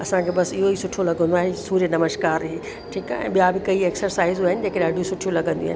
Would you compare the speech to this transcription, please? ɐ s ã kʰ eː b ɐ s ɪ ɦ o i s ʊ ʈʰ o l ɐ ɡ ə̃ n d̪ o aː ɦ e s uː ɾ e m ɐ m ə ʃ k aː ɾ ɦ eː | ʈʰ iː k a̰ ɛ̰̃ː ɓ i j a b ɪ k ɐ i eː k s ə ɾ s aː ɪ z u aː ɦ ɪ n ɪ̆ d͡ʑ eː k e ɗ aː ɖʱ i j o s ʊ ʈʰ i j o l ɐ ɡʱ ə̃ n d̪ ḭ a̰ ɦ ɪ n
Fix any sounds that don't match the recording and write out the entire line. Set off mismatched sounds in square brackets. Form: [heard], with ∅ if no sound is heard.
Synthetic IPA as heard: ɐ s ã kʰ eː b ɐ s ɪ ɦ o i s ʊ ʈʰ o l ɐ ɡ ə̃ n d̪ o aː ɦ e s uː ɾ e [n] ɐ m ə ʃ k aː ɾ ɦ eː | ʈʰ iː k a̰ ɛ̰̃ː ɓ i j a b ɪ k ɐ i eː k s ə ɾ s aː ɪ z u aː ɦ ɪ n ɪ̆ d͡ʑ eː k e ɗ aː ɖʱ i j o s ʊ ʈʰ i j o l ɐ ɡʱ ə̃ n d̪ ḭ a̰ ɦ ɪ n